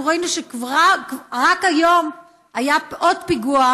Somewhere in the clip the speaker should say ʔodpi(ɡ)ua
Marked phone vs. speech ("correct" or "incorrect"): correct